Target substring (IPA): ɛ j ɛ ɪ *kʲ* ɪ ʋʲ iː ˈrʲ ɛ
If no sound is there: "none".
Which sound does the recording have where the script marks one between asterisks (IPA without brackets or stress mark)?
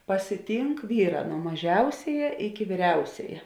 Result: kʲ